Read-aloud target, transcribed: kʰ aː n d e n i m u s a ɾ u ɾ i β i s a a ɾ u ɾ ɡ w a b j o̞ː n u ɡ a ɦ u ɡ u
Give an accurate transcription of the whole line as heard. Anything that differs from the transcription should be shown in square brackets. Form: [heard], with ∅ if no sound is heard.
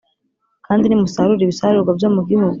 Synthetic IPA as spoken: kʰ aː n d [i] n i m u s a ɾ u ɾ i β i s a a ɾ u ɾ ɡ w a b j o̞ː [m] u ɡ [i] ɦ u ɡ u